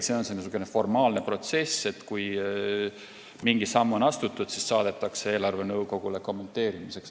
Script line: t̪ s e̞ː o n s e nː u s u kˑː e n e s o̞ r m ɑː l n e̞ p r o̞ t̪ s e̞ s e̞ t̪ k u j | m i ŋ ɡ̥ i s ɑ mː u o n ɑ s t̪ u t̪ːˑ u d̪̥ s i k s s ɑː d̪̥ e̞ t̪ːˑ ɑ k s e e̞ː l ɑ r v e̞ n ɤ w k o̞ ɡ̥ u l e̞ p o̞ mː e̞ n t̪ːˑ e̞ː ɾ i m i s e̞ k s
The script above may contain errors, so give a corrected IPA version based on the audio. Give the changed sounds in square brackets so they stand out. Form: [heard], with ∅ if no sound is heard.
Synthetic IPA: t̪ s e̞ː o n s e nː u s u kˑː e n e [f] o̞ r m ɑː l n e̞ p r o̞ t̪ s e̞ s e̞ t̪ k u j | m i ŋ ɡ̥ i s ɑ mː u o n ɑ s t̪ u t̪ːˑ u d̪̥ s i [∅] s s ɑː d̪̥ e̞ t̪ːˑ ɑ k s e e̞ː l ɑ r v e̞ n ɤ w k o̞ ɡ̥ u l e̞ [k] o̞ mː e̞ n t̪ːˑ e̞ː ɾ i m i s e̞ k s